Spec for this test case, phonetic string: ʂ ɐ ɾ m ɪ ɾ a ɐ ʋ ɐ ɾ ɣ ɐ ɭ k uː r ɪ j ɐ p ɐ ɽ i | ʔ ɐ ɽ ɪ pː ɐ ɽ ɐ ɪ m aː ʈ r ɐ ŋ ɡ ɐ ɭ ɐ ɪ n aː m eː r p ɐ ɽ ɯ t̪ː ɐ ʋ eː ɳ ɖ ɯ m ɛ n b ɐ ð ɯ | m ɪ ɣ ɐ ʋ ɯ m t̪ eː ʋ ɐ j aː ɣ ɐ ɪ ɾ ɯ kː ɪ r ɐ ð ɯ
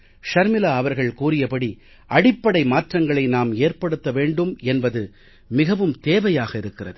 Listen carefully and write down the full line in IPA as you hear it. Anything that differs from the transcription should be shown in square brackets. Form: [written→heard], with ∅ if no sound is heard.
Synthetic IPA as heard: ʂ ɐ ɾ m ɪ [ɾ→l] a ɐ ʋ ɐ ɾ ɣ ɐ ɭ k uː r ɪ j ɐ p ɐ ɽ i | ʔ ɐ ɽ ɪ pː ɐ ɽ ɐ ɪ m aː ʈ r ɐ ŋ ɡ ɐ ɭ ɐ ɪ n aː m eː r p ɐ ɽ ɯ t̪ː ɐ ʋ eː ɳ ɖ ɯ m ɛ n b ɐ ð ɯ | m ɪ ɣ ɐ ʋ ɯ m t̪ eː ʋ ɐ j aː ɣ ɐ ɪ ɾ ɯ kː ɪ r ɐ ð ɯ

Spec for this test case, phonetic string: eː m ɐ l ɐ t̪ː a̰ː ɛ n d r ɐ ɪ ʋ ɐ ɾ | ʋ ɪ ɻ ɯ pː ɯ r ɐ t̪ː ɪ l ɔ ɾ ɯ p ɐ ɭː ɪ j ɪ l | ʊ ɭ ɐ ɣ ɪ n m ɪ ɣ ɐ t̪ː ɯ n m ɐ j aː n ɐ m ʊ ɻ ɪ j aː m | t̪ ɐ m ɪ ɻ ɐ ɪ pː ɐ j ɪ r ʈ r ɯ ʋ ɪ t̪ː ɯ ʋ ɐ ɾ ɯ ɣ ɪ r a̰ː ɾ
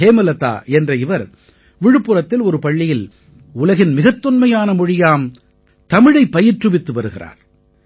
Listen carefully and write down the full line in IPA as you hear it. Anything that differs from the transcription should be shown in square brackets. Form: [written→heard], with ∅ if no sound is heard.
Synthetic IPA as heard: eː m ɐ l ɐ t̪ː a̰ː ɛ n d r ɐ ɪ ʋ ɐ ɾ | ʋ ɪ ɻ ɯ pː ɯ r ɐ t̪ː ɪ l ɔ ɾ ɯ p ɐ ɭː ɪ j ɪ l | ʊ [ɭ→l] ɐ ɣ ɪ n m ɪ ɣ ɐ t̪ː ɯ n m ɐ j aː n ɐ m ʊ ɻ ɪ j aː m | t̪ ɐ m ɪ ɻ ɐ ɪ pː ɐ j ɪ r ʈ r ɯ ʋ ɪ t̪ː ɯ ʋ ɐ ɾ ɯ ɣ ɪ r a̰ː ɾ

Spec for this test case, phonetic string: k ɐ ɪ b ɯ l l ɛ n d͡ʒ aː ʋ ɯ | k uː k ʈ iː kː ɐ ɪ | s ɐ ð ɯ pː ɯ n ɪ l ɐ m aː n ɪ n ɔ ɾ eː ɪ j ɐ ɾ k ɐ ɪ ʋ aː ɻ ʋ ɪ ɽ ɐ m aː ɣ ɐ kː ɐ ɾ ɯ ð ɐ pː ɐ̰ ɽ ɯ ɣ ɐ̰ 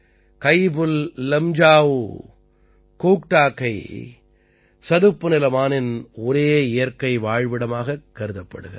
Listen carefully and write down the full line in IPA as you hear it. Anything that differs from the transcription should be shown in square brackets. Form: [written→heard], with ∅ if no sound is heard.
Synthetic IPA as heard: k ɐ ɪ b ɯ l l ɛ [n→m] d͡ʒ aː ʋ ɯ | k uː k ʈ [iː→aː] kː ɐ ɪ | s ɐ ð ɯ pː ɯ n ɪ l ɐ m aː n ɪ n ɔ ɾ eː ɪ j ɐ ɾ k ɐ ɪ ʋ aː ɻ ʋ ɪ ɽ ɐ m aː ɣ ɐ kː ɐ ɾ ɯ ð ɐ pː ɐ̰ ɽ ɯ ɣ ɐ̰

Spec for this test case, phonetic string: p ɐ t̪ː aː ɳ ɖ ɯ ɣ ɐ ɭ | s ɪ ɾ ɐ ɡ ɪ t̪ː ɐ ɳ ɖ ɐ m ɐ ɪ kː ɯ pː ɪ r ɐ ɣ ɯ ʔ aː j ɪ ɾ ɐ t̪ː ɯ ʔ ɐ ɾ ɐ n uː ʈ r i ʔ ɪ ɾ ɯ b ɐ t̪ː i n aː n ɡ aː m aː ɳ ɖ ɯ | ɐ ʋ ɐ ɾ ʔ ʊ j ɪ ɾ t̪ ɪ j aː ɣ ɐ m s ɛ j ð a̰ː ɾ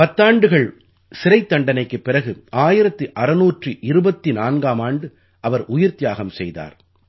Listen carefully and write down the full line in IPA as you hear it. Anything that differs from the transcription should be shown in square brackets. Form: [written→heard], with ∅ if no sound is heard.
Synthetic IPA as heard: p ɐ t̪ː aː ɳ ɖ ɯ ɣ ɐ ɭ | s ɪ ɾ ɐ [ɡ→∅] ɪ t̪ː ɐ ɳ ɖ ɐ [m→n] ɐ ɪ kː ɯ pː ɪ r ɐ ɣ ɯ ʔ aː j ɪ ɾ ɐ t̪ː ɯ ʔ ɐ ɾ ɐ n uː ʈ r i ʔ ɪ ɾ ɯ b ɐ t̪ː i n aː n ɡ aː m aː ɳ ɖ ɯ | ɐ ʋ ɐ ɾ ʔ ʊ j ɪ ɾ t̪ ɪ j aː ɣ ɐ m s ɛ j ð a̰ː ɾ

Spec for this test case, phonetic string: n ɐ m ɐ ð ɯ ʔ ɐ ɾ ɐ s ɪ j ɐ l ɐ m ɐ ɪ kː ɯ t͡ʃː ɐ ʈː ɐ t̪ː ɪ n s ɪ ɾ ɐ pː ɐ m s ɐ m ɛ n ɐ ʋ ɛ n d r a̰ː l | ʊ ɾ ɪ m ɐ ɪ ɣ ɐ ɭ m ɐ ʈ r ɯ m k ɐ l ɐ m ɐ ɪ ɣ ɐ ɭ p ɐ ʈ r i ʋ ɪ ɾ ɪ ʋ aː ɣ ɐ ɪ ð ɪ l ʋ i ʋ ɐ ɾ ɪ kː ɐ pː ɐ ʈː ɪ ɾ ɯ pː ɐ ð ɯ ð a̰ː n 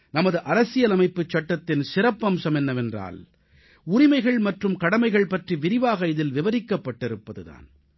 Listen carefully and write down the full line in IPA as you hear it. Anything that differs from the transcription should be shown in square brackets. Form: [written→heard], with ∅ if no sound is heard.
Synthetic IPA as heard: n ɐ m ɐ ð ɯ ʔ ɐ ɾ ɐ s ɪ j ɐ l ɐ m ɐ ɪ [kː→pː] ɯ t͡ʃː ɐ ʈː ɐ t̪ː ɪ n s ɪ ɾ ɐ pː ɐ m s ɐ m ɛ [n→nː] ɐ ʋ ɛ n d r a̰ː l | ʊ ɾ ɪ m ɐ ɪ ɣ ɐ ɭ m ɐ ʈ r ɯ m k ɐ [l→ɽ] ɐ m ɐ ɪ ɣ ɐ ɭ p ɐ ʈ r i ʋ ɪ ɾ ɪ ʋ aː ɣ ɐ ɪ ð ɪ l ʋ [i→ɪ] ʋ ɐ ɾ ɪ kː ɐ pː ɐ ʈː ɪ ɾ ɯ pː ɐ ð ɯ ð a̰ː n

